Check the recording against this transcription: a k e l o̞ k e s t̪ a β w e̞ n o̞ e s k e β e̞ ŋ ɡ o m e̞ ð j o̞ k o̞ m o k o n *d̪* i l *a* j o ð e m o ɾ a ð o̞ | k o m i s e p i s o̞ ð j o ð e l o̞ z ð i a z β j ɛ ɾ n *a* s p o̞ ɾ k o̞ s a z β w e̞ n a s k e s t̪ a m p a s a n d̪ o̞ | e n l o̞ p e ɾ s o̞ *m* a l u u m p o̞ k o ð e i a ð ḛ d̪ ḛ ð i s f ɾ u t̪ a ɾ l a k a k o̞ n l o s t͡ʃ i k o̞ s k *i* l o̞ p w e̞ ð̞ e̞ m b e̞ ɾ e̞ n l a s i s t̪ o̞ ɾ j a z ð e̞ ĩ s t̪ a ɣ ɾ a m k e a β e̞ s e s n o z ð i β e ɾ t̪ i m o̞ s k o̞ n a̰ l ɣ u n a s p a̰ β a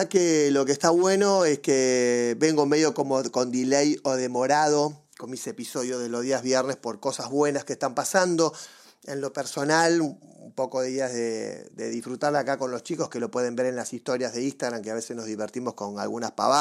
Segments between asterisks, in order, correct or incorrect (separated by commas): correct, incorrect, incorrect, incorrect, incorrect